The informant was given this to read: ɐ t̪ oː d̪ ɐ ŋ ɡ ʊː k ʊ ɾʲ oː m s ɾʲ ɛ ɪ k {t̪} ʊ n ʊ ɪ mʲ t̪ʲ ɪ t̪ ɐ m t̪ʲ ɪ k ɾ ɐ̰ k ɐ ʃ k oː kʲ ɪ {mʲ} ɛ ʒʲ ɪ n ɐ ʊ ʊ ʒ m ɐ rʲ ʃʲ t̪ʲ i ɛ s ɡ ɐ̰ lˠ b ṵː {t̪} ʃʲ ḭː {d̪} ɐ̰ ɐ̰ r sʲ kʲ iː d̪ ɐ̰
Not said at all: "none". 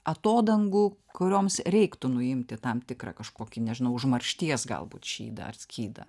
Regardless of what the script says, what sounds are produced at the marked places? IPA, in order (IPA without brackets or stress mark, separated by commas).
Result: t̪, nʲ, t̪, d̪